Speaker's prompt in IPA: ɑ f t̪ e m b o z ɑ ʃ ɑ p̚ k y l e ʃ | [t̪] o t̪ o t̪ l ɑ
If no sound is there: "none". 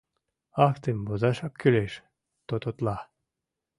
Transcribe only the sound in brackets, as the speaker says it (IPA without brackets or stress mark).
t̪